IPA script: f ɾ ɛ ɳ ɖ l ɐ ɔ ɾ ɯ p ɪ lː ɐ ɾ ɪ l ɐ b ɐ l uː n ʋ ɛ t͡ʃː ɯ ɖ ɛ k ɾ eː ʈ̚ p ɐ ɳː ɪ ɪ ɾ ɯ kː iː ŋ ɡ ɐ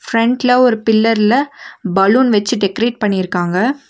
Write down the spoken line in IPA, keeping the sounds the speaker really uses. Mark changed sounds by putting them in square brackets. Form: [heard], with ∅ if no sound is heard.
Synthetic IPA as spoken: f ɾ ɛ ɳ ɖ l ɐ ɔ ɾ ɯ p ɪ lː ɐ ɾ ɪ l ɐ b ɐ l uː n ʋ ɛ t͡ʃː ɯ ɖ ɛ k ɾ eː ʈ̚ p ɐ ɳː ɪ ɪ ɾ ɯ kː [aː] ŋ ɡ ɐ